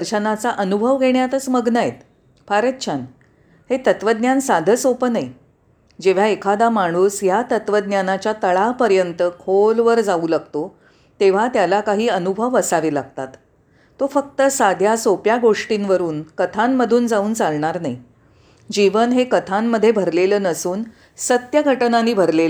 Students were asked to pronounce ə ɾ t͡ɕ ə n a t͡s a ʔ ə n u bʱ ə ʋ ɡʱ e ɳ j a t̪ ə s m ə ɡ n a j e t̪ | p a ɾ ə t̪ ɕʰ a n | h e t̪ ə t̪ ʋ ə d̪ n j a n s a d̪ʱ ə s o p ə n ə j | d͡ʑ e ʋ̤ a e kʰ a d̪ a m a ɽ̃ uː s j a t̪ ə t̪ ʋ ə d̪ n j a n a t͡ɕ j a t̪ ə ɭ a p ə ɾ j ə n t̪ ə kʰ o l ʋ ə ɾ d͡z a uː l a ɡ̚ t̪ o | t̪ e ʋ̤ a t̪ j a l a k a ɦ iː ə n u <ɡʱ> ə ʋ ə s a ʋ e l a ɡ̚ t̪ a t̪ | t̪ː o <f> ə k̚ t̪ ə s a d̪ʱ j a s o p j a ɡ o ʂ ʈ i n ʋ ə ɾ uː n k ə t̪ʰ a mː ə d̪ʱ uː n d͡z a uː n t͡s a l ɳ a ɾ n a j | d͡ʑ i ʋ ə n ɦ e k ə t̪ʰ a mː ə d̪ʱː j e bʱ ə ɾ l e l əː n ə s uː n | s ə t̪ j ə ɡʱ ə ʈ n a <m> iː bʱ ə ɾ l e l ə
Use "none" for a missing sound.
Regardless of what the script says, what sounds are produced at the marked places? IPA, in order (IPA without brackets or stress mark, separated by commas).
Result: bʱ, f, n